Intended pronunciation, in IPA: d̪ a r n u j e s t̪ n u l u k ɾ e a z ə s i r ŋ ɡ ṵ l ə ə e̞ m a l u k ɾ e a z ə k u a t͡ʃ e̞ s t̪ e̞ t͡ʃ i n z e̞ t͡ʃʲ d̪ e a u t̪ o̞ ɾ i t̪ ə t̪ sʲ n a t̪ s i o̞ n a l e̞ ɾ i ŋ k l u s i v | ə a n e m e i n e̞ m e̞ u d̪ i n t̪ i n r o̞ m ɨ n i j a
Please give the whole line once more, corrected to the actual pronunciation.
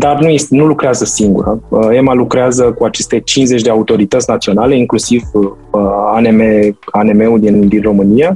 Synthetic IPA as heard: d̪ a r n u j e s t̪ n u l u k ɾ e a z ə s i ŋ ɡ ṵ ɾ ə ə e̞ m a l u k ɾ e a z ə k u a t͡ʃ e̞ s t̪ e̞ t͡ʃ i n z e̞ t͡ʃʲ d̪ e a u t̪ o̞ ɾ i t̪ ə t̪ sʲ n a t̪ s i o̞ n a l e̞ i ŋ k l u s i v | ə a n e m e a n e̞ m e̞ u d̪ i n d̪ i n r o̞ m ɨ n i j a